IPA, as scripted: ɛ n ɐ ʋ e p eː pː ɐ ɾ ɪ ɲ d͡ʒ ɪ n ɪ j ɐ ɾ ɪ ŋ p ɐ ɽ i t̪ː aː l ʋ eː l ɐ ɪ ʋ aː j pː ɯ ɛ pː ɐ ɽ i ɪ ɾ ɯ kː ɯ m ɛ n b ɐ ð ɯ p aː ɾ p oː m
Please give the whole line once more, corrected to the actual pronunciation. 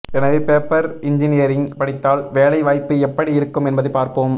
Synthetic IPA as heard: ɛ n ɐ ʋ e p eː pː ɐ ɾ ɪ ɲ d͡ʒ ɪ n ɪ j ɐ ɾ ɪ ŋ p ɐ ɽ ɪ t̪ː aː l ʋ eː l ɐ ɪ ʋ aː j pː ɯ ɛ pː ɐ ɽ i ɪ ɾ ɯ kː ɯ m ɛ n b ɐ ð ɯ p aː ɾ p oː m